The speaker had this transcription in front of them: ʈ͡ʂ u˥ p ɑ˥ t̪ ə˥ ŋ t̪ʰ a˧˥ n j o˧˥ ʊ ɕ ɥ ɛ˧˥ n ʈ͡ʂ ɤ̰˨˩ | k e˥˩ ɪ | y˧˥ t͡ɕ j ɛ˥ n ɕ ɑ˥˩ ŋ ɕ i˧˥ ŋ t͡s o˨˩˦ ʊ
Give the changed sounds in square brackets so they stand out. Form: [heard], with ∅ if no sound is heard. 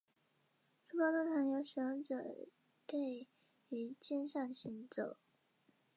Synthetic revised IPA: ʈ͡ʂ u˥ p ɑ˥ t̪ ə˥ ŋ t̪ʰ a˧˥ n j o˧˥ ʊ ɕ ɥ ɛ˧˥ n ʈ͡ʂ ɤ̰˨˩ | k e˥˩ ɪ | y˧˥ t͡ɕ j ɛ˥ n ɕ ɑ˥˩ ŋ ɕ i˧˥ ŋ t͡s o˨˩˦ ʊ